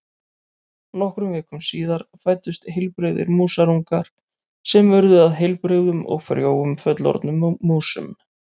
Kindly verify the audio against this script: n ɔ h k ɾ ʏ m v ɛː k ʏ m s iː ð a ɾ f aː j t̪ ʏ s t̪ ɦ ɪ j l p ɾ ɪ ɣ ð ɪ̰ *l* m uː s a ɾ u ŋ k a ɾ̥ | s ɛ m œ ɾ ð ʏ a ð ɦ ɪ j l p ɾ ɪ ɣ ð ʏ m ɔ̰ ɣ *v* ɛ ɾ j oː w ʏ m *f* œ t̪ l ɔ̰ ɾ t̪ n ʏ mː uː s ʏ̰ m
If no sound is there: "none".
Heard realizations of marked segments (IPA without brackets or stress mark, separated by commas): ɾ, f, f